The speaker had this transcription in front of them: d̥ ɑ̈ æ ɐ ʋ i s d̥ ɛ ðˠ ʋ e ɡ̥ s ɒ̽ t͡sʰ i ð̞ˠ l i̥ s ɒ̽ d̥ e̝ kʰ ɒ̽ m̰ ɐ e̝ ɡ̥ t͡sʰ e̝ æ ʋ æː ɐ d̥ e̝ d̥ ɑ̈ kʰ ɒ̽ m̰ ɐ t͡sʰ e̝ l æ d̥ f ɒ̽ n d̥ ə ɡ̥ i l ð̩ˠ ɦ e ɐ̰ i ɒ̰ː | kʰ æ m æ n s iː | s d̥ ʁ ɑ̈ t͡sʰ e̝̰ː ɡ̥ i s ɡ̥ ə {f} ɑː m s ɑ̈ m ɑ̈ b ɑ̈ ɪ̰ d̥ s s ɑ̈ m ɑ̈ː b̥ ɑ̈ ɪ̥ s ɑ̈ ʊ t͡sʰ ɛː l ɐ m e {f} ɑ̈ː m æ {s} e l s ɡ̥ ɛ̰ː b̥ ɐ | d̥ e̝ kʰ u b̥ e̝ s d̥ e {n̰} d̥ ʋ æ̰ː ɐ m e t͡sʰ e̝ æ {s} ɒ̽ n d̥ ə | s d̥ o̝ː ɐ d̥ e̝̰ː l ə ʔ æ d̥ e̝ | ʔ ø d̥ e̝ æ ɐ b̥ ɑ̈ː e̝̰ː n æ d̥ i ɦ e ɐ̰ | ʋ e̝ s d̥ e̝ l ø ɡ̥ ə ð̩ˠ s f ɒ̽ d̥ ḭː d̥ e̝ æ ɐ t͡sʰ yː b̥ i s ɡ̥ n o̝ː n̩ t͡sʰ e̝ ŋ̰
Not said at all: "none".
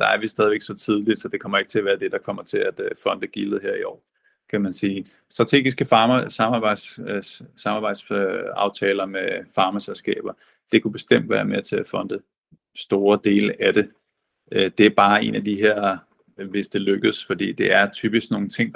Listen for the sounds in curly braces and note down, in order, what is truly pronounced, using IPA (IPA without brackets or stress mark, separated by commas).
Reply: f, f, s, m̰, f